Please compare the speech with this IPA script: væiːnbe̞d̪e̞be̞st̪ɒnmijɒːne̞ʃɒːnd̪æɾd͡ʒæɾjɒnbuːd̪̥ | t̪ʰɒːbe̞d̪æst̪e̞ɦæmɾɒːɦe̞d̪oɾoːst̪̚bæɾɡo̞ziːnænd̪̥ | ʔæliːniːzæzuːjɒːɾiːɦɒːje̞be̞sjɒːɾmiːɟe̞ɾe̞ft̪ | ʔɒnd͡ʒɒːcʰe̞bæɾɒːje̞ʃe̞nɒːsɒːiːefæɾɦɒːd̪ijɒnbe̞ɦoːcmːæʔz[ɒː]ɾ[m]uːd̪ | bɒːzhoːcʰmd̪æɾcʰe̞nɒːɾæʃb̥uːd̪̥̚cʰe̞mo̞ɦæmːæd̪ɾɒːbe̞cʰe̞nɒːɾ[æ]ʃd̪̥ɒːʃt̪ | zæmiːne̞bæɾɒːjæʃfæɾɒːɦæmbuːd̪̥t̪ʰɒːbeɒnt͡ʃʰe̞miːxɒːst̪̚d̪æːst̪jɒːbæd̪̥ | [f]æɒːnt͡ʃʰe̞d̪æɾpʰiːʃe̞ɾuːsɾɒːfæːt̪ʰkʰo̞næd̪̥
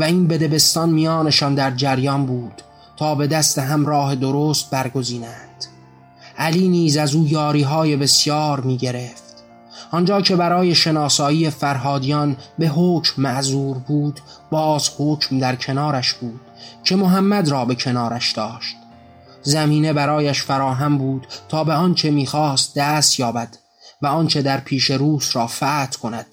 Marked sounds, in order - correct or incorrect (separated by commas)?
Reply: incorrect, incorrect, correct, incorrect